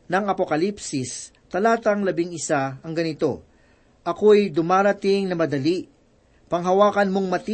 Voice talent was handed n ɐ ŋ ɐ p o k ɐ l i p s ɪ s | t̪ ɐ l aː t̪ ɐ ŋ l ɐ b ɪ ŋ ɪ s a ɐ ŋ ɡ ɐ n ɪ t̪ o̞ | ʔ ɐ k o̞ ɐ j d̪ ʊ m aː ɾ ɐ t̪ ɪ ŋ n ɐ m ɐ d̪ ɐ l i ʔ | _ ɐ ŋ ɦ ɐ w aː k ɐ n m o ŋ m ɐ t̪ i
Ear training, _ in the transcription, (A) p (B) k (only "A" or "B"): A